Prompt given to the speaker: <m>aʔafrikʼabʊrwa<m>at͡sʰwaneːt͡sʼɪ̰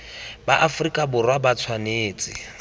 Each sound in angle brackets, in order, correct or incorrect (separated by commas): incorrect, incorrect